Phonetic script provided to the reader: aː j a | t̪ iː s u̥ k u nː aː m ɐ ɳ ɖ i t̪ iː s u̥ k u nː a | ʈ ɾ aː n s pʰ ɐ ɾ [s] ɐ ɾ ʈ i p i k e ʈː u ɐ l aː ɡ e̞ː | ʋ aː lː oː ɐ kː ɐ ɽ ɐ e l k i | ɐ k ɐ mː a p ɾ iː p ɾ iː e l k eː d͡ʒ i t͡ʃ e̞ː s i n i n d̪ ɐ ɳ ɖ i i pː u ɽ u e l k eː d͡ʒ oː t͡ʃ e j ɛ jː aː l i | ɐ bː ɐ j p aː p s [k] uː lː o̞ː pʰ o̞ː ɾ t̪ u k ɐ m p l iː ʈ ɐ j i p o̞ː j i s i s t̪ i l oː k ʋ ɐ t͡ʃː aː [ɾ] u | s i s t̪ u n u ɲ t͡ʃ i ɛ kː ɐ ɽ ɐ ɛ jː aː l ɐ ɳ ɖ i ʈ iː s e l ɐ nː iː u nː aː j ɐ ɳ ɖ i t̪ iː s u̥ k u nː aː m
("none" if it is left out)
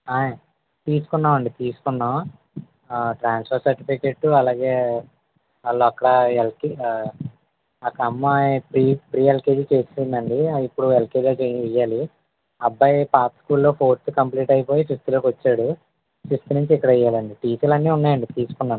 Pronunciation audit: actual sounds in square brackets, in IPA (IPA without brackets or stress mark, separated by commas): s, k, ɽ